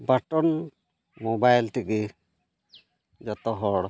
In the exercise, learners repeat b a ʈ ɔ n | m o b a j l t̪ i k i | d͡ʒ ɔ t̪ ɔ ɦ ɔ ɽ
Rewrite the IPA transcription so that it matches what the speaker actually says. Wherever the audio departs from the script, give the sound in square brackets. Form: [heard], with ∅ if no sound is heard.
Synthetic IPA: b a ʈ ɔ n | m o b a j l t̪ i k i | d͡ʒ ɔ t̪ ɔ ɦ ɔ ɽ